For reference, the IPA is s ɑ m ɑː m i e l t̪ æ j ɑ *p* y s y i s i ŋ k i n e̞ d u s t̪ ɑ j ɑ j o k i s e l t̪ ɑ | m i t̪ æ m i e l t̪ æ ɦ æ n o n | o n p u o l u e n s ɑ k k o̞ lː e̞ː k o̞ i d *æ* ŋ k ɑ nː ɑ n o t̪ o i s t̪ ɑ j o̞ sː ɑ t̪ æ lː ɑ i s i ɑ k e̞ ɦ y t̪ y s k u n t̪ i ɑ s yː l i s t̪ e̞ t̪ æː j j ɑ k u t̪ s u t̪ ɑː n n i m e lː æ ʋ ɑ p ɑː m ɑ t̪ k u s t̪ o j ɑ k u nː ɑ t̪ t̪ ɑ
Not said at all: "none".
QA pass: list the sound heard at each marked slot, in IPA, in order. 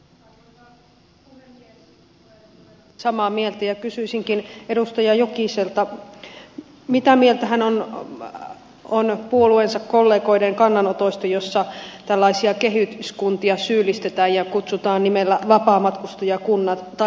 k, e

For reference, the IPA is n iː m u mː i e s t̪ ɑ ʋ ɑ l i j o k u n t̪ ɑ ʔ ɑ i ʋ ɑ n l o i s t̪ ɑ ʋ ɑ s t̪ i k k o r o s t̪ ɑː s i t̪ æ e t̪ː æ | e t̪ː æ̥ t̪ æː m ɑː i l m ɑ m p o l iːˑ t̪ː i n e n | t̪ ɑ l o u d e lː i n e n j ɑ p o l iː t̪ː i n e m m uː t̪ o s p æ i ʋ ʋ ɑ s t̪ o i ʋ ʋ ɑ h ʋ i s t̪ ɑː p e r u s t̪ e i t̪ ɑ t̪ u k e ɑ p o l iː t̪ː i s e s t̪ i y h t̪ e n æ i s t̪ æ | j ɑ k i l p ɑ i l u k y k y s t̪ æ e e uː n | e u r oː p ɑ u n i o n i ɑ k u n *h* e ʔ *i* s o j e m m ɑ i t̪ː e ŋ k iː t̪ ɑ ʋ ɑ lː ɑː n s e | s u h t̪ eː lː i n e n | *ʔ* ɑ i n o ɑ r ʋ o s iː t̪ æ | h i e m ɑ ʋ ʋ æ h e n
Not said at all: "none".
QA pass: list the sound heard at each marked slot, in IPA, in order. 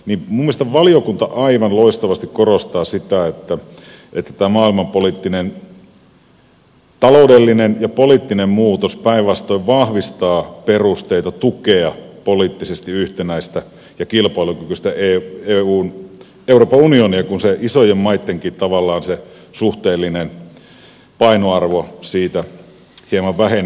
s, i, p

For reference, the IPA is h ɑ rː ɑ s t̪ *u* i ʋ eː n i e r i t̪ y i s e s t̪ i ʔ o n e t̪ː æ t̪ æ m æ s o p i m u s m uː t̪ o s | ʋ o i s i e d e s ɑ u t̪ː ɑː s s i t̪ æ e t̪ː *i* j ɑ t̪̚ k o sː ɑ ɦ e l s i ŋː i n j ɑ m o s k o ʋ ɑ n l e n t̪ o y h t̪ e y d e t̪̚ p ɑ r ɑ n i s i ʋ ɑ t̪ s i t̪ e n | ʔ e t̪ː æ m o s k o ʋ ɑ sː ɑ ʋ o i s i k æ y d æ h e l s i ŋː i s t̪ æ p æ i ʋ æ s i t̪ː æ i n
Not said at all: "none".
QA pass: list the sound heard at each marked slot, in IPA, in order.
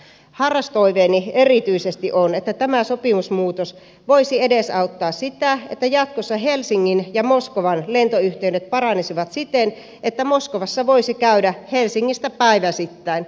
o, æ

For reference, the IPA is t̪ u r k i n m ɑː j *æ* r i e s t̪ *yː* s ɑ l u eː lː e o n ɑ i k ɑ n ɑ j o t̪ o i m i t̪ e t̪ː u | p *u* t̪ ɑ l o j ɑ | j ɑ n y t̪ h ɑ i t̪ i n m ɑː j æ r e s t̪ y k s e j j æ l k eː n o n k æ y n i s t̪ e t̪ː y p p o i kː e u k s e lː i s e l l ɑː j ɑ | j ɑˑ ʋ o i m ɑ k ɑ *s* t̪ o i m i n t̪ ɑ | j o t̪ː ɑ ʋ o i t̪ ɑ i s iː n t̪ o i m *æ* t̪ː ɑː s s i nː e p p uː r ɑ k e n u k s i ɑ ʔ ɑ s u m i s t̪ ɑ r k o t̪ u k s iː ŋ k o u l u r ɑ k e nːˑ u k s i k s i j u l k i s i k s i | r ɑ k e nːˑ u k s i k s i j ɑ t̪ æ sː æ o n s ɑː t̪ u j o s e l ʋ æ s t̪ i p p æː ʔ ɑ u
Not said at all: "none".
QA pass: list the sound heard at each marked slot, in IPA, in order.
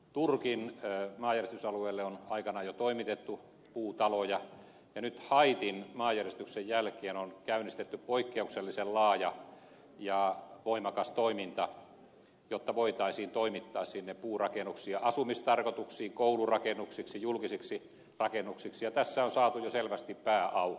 æ, y, uː, s, i

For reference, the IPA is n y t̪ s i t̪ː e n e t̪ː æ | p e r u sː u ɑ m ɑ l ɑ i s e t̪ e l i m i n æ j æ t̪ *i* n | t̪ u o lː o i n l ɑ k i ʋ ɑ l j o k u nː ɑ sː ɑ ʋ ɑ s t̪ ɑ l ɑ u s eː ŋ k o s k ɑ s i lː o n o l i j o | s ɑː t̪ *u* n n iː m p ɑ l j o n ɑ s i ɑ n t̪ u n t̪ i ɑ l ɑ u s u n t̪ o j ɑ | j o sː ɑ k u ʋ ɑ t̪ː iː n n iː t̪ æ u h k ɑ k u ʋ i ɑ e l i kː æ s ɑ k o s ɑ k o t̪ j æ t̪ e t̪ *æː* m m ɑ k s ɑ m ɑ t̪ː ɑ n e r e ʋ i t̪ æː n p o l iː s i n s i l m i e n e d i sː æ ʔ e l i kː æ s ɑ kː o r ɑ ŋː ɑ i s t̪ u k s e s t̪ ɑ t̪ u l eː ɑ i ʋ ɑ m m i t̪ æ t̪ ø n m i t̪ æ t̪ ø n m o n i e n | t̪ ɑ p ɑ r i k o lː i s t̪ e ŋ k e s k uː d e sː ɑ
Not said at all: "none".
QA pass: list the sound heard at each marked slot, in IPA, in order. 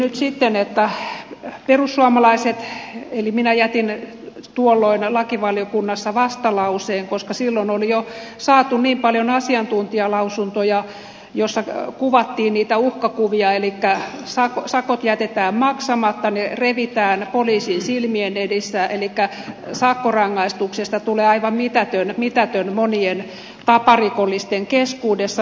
i, u, æː

